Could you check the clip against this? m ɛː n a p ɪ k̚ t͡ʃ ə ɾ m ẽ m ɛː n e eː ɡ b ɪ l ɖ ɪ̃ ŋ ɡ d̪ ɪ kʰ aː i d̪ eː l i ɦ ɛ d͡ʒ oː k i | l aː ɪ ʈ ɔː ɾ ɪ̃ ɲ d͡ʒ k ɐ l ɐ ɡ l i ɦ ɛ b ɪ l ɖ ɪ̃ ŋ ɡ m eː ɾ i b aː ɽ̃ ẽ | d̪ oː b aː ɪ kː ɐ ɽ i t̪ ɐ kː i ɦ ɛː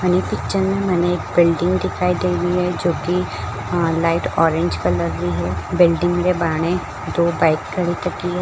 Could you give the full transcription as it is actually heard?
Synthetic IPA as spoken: m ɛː n e p ɪ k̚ t͡ʃ ə ɾ m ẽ m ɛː n e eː k b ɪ l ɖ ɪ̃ ŋ ɡ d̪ ɪ kʰ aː i d̪ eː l i ɦ ɛ d͡ʒ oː k i | l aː ɪ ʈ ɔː ɾ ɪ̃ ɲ d͡ʒ k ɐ l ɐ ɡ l i ɦ ɛ b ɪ l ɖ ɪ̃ ŋ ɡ m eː ɾ e b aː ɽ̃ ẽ | d̪ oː b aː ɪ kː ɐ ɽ i t̪ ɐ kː i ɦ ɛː

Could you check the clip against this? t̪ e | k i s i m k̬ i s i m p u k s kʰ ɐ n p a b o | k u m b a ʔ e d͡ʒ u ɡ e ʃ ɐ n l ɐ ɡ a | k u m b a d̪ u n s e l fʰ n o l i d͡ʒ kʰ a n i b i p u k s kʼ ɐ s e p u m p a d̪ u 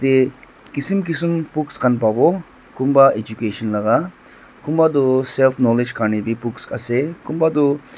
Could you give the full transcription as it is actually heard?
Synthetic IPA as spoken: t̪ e | k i s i m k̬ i s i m p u k s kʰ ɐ n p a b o | k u m b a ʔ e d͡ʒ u k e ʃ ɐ n l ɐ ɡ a | k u m b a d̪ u s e l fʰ n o l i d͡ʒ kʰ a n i b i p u k s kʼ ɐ s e k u m b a d̪ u

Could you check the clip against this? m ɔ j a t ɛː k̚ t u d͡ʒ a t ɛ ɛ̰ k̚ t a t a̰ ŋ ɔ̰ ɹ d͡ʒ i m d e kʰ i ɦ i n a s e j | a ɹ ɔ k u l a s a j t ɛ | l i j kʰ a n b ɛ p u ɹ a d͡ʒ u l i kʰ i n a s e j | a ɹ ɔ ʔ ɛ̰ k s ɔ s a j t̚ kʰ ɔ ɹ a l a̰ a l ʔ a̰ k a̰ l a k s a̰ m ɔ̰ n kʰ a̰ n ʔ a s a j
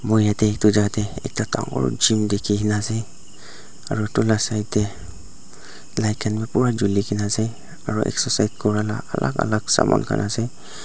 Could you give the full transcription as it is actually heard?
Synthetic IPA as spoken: m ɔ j a t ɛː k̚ t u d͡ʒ a t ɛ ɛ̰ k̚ t a t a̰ ŋ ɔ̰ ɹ d͡ʒ i m d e kʰ i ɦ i n a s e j | a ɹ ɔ t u l a s a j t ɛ | l a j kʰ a n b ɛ p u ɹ a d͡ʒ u l i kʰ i n a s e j | a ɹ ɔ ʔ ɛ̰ k s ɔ s a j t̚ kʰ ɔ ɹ a l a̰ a l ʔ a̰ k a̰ l a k s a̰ m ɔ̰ n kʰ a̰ n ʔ a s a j

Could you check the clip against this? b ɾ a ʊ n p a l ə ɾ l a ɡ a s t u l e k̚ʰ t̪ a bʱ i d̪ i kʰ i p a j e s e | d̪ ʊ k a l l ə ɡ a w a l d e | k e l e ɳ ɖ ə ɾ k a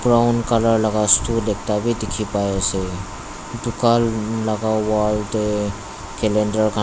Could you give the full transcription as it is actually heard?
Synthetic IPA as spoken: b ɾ a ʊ n k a l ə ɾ l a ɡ a s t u l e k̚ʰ t̪ a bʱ i d̪ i kʰ i p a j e s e | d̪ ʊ k a l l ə ɡ a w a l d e | k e l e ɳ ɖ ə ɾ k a

